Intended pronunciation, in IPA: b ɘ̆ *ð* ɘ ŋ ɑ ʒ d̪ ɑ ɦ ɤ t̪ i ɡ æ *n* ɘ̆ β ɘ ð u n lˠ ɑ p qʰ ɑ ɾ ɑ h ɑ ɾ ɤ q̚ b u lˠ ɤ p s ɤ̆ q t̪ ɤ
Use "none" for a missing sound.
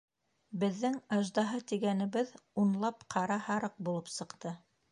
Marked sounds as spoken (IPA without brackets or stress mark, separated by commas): ðː, n